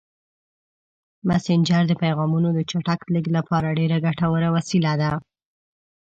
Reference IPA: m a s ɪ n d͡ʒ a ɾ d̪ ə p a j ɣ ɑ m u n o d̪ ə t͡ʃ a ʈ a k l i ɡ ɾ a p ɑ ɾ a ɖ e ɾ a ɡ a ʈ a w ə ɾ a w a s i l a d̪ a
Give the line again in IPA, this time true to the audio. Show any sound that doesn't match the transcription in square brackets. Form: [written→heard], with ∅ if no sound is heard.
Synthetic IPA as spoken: m a s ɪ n d͡ʒ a ɾ d̪ ə p a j ɣ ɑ m u n o d̪ ə t͡ʃ a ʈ a k l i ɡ [ɾ→l] a p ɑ ɾ a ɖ e ɾ a ɡ a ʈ a w ə ɾ a w a s i l a d̪ a